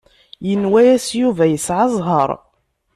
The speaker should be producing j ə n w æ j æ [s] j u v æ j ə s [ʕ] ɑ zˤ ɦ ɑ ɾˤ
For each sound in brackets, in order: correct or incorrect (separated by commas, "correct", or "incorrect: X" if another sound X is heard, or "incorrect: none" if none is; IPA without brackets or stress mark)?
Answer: correct, correct